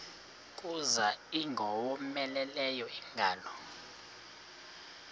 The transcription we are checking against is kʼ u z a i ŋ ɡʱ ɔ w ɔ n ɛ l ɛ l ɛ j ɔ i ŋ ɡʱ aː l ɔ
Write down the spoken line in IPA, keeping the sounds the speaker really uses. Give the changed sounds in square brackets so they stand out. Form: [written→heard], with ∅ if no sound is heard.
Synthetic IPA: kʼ u z a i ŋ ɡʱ ɔ w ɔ [n→m] ɛ l ɛ l ɛ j ɔ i ŋ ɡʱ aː l ɔ